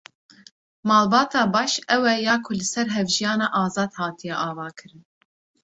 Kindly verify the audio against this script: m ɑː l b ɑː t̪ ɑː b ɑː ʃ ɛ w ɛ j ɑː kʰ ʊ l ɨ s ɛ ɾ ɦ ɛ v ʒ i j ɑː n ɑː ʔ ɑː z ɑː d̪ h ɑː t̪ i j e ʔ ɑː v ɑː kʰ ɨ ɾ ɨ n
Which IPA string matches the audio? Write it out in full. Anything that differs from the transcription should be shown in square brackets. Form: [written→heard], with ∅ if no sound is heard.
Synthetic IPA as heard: m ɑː l b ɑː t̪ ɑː b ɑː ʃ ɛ w ɛ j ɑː kʰ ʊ l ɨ s ɛ ɾ ɦ ɛ v ʒ i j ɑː n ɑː ʔ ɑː z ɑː d̪ h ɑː t̪ i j [e→ɛ] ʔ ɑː v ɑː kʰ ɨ ɾ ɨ n